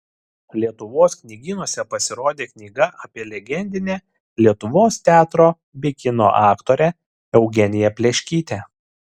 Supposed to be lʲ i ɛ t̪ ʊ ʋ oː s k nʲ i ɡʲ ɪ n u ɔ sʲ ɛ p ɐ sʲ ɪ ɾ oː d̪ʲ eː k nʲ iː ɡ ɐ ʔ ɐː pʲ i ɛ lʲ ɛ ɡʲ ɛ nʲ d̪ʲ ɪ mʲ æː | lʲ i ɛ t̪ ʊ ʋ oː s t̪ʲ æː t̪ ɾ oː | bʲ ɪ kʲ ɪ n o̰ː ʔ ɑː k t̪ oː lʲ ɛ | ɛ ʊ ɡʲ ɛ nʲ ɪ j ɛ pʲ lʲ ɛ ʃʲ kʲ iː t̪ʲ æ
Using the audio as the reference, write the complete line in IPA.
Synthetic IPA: lʲ i ɛ t̪ ʊ ʋ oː s k nʲ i ɡʲ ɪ n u ɔ sʲ ɛ p ɐ sʲ ɪ ɾ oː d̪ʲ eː k nʲ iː ɡ ɐ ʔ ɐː pʲ i ɛ lʲ ɛ ɡʲ ɛ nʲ d̪ʲ ɪ nʲ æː | lʲ i ɛ t̪ ʊ ʋ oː s t̪ʲ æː t̪ ɾ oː | bʲ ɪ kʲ ɪ n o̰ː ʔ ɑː k t̪ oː ɾʲ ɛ | ɛ ʊ ɡʲ ɛ nʲ ɪ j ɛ pʲ lʲ ɛ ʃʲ kʲ iː t̪ʲ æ